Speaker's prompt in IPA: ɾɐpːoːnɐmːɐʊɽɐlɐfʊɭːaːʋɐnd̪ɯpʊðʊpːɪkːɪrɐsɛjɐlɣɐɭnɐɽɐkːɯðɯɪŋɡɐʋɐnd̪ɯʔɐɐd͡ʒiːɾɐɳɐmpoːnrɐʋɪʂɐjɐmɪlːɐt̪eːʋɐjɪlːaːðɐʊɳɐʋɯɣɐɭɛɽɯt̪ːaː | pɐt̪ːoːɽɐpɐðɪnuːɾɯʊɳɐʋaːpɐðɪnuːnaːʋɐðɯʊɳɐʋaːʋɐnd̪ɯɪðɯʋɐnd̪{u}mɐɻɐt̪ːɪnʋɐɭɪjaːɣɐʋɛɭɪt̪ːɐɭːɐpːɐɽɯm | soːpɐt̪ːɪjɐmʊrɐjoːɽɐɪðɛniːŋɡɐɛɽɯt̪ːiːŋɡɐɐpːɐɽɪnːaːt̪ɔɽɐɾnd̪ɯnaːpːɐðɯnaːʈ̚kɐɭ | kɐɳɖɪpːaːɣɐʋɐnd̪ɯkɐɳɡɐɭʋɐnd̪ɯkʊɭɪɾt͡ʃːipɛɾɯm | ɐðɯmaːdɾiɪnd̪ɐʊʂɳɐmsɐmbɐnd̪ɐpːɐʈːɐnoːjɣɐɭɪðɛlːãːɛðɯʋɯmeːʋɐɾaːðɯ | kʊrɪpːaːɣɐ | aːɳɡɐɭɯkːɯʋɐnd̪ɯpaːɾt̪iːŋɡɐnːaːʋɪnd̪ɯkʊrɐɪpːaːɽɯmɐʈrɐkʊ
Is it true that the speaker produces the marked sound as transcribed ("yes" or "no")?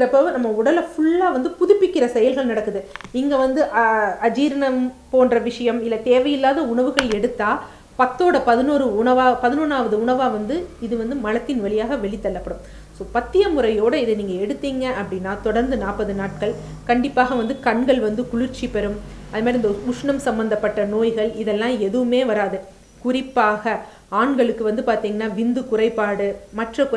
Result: no